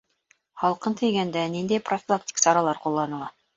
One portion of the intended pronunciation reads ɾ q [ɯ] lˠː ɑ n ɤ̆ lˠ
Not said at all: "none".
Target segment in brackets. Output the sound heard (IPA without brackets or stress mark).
u